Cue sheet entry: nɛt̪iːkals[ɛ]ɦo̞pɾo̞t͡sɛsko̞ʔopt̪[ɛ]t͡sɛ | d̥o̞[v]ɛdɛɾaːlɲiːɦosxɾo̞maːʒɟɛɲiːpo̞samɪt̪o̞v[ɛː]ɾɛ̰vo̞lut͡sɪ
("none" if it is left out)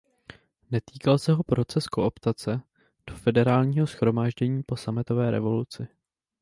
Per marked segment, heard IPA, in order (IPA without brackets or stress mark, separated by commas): ɛ, a, f, ɛː